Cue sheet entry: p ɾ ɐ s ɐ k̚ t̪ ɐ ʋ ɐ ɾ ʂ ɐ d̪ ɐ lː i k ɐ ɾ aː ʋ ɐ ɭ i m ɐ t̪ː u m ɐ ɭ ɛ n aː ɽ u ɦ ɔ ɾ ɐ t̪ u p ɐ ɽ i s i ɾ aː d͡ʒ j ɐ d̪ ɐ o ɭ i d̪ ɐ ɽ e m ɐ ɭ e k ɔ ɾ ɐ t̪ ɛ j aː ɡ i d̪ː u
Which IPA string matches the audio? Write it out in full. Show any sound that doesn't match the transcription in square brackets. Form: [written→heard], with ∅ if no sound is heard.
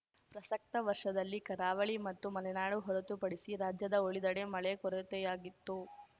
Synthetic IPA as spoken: p ɾ ɐ s ɐ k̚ t̪ ɐ ʋ ɐ ɾ ʂ ɐ d̪ ɐ lː i k ɐ ɾ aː ʋ ɐ ɭ i m ɐ t̪ː u m ɐ [ɭ→l] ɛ n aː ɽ u ɦ ɔ ɾ ɐ t̪ u p ɐ ɽ i s i ɾ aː d͡ʒ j ɐ d̪ ɐ o ɭ i d̪ ɐ ɽ e m ɐ ɭ e k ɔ ɾ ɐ t̪ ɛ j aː ɡ i [d̪ː→t̪ː] u